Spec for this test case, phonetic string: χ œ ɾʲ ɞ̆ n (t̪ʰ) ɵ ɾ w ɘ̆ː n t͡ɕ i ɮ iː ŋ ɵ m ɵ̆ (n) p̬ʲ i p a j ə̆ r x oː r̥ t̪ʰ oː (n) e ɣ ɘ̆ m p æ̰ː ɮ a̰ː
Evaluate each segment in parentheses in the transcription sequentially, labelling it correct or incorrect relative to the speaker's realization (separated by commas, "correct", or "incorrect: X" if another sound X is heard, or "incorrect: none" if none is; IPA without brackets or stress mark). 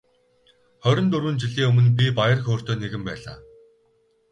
incorrect: t̪, correct, correct